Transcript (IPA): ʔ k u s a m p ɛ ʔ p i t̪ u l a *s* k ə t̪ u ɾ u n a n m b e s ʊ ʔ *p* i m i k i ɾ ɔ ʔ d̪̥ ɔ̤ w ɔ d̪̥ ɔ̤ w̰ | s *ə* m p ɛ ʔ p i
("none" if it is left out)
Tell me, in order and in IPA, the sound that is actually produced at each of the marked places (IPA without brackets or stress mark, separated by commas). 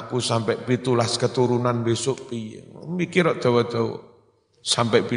s, p, a